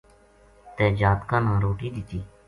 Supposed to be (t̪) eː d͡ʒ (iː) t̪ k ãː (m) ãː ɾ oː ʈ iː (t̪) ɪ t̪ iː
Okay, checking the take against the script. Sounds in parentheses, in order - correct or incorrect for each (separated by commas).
correct, incorrect, incorrect, incorrect